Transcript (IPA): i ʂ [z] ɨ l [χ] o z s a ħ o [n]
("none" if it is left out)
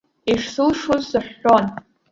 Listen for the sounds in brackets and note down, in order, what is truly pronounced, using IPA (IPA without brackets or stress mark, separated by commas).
s, ʂ, n